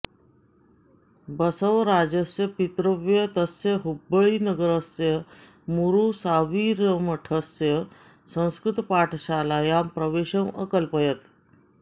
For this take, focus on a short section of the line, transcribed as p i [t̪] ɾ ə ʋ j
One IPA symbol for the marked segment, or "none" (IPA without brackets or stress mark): t̪